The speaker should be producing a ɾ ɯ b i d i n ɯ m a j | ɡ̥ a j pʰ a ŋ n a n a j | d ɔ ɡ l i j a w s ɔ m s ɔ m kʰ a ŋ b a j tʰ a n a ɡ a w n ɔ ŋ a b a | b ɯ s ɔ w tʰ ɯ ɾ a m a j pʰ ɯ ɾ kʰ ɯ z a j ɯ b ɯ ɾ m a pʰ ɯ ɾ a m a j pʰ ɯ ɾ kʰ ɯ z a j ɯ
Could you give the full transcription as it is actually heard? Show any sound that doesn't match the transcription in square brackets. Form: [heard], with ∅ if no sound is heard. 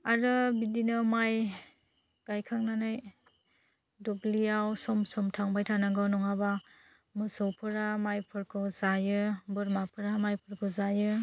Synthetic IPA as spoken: a ɾ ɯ b i d i n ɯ m a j | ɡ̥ a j [kʰ] a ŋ n a n a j | d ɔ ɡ l i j a w s ɔ m s ɔ m [tʰ] a ŋ b a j tʰ a n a ɡ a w n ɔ ŋ a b a | [m] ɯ s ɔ w [pʰ] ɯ ɾ a m a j pʰ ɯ ɾ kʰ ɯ z a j ɯ b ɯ ɾ m a pʰ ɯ ɾ a m a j pʰ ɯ ɾ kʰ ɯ z a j ɯ